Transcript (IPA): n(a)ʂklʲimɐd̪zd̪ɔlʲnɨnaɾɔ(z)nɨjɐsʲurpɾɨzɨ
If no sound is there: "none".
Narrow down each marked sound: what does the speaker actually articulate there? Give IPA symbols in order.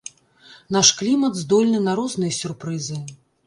a, z

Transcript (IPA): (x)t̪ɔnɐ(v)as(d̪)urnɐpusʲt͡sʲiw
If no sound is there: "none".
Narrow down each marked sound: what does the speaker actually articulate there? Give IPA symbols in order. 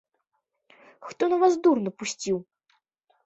x, v, d̪

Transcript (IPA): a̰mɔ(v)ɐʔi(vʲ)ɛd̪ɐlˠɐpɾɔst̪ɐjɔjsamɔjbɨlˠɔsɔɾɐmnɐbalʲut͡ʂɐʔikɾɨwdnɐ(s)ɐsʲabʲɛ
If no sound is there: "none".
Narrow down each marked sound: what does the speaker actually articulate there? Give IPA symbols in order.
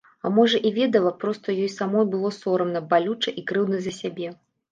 ʐ, vʲ, z

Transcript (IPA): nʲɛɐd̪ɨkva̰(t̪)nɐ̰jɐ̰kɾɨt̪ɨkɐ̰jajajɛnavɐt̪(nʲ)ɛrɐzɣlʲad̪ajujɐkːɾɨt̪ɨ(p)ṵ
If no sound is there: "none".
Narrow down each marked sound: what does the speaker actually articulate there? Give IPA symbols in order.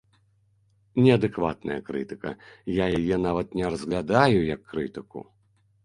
t̪, nʲ, k

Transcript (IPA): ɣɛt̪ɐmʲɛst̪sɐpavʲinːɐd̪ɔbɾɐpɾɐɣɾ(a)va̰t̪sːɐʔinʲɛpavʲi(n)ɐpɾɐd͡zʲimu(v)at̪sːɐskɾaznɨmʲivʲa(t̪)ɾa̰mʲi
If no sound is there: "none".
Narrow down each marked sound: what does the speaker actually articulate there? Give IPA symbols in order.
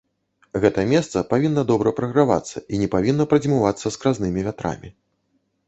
a, nː, v, t̪

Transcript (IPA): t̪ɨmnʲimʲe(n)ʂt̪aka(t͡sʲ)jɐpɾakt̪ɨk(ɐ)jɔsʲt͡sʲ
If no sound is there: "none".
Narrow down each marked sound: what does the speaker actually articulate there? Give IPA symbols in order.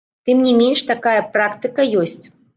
n, none, ɐ

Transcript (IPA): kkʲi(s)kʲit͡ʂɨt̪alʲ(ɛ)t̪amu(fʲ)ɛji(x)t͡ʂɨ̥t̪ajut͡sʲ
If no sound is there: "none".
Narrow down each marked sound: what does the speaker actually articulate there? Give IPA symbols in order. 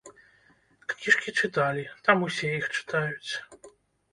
ʂ, i, sʲ, x

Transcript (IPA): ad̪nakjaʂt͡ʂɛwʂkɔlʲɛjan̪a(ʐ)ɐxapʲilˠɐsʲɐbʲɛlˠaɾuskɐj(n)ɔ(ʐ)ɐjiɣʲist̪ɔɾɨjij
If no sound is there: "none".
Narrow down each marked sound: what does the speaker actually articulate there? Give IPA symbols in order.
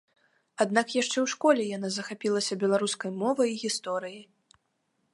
z, m, v

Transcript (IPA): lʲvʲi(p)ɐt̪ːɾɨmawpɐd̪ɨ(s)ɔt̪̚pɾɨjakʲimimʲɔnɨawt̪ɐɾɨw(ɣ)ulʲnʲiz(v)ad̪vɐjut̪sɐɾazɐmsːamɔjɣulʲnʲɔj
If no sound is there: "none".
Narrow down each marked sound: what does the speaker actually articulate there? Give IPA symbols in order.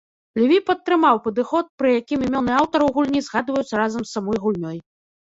p, x, ɣ, ɣ

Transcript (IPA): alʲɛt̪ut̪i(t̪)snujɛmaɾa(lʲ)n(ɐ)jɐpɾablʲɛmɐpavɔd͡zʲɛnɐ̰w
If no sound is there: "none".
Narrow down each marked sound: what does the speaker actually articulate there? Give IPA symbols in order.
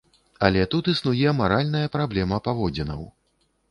none, lʲ, ɐ

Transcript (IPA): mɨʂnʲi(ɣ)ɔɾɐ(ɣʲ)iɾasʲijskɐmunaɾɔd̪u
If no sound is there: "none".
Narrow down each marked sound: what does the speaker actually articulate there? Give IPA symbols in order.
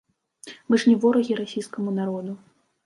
v, ɣʲ

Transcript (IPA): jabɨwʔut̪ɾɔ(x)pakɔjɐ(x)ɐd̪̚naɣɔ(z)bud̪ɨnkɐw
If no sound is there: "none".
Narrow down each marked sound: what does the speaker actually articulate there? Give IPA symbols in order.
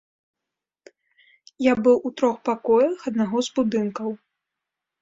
x, x, z

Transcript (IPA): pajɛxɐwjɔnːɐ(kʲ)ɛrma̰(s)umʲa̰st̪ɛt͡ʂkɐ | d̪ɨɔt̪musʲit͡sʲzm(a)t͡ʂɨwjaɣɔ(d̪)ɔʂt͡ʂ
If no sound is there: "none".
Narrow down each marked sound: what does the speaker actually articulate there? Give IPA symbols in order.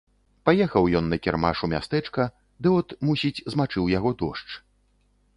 kʲ, ʂ, a, d̪

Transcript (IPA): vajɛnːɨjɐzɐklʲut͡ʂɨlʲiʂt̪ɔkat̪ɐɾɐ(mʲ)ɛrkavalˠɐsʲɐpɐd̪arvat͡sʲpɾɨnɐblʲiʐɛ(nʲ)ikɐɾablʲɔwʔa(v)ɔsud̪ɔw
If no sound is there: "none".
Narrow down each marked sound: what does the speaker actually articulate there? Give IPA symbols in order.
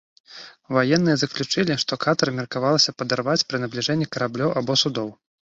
mʲ, nʲː, b

